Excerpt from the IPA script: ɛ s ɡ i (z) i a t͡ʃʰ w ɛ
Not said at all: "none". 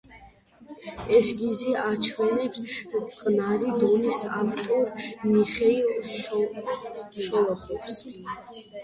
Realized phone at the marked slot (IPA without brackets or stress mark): z